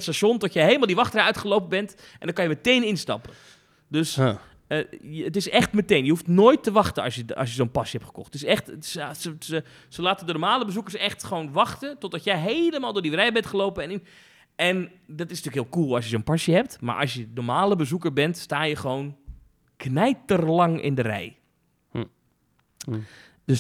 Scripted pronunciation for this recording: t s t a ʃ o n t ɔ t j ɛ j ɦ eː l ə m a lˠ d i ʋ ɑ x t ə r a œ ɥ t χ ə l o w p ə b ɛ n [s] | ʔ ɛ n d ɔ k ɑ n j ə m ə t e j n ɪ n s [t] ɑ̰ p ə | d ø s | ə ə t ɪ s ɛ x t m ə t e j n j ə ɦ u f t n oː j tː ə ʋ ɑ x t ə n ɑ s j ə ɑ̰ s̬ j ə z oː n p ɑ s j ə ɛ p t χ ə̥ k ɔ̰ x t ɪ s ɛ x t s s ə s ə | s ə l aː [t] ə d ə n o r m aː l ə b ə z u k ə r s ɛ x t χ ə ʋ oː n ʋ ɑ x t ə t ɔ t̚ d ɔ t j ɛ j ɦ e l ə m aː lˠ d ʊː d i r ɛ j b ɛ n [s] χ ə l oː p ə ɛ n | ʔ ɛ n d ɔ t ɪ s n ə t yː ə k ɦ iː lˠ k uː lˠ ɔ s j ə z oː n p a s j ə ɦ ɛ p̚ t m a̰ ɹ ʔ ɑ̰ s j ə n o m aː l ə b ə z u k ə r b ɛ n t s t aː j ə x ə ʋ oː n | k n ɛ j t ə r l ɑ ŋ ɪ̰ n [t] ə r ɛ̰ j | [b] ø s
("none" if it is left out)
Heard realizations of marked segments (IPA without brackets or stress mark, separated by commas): t, t, t, t, d, d